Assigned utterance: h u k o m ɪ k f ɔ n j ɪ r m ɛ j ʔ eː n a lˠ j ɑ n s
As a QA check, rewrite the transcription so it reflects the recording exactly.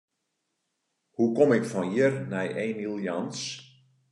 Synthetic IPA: h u k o m ɪ k f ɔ n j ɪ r n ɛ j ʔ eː n i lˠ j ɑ n s